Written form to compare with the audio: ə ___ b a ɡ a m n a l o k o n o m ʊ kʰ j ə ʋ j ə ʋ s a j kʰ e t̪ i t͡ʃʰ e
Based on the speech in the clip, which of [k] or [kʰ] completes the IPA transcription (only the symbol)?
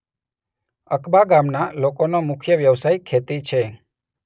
k